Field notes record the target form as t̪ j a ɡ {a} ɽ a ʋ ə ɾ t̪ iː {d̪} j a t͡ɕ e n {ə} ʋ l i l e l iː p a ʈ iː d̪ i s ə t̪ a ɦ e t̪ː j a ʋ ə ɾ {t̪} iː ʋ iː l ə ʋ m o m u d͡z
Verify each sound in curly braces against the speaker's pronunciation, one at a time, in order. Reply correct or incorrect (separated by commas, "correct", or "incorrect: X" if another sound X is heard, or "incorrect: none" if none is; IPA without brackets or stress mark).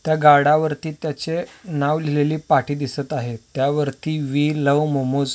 correct, incorrect: t̪, incorrect: a, correct